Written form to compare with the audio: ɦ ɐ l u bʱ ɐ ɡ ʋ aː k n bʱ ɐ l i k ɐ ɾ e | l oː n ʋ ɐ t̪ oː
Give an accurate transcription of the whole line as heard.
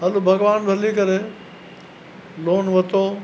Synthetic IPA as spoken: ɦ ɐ l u bʱ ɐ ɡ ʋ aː n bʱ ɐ l i k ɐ ɾ e | l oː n ʋ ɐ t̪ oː